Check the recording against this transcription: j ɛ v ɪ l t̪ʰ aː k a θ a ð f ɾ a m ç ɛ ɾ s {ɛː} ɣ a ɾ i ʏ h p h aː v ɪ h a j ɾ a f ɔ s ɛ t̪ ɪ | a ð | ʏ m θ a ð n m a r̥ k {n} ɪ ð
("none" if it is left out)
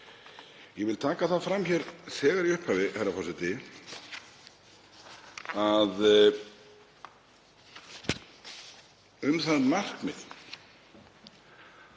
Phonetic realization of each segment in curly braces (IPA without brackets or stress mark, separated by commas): ɛː, m